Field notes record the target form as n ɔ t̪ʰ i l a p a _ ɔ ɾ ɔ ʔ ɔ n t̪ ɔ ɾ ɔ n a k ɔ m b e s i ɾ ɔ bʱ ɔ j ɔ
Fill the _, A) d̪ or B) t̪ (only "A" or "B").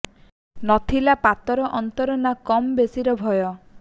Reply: B